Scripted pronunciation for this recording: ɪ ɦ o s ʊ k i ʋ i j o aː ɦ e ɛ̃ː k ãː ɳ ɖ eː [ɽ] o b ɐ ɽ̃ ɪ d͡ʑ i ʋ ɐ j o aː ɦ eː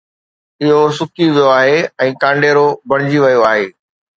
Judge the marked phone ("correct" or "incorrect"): incorrect